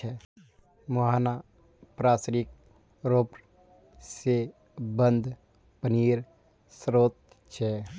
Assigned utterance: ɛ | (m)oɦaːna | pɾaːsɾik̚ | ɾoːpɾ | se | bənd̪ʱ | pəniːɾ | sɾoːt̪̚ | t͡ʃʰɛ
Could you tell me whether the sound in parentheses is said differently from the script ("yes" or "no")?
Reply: no